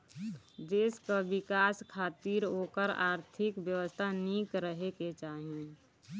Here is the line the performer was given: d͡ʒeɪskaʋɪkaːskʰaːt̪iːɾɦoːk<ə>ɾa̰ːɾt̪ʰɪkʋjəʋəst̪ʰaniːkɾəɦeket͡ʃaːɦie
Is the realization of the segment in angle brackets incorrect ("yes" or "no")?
no